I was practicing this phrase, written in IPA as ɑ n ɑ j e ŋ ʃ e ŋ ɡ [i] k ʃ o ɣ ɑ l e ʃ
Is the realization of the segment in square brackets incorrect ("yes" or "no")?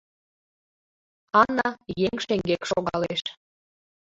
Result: yes